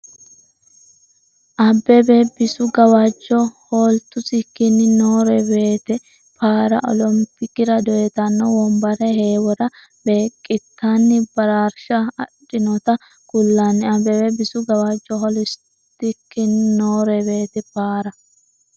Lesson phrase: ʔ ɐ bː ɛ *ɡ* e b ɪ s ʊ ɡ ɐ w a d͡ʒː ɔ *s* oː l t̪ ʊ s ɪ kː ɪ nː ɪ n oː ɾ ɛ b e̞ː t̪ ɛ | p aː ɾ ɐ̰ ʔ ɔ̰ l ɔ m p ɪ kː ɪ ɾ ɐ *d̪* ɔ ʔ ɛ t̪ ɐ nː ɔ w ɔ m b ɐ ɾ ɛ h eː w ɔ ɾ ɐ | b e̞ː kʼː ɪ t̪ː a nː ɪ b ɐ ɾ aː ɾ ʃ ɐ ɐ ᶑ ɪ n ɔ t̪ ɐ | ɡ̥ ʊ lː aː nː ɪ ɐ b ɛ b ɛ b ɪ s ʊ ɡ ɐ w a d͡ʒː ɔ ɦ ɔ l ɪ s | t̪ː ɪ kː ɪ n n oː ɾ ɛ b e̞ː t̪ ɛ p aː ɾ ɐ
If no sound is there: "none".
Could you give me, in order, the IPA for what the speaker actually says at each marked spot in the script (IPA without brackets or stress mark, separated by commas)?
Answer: b, h, d̪